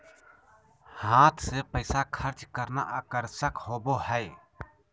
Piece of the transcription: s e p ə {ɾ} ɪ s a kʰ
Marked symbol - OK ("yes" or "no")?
no